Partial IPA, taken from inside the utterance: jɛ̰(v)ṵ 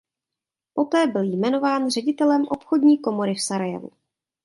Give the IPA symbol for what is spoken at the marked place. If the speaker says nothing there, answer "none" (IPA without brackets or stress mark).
v